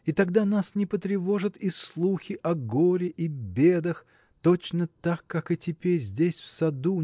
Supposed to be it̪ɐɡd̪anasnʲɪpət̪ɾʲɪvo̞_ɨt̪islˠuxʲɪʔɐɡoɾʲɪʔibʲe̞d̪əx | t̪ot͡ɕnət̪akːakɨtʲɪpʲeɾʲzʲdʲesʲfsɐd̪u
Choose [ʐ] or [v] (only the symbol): ʐ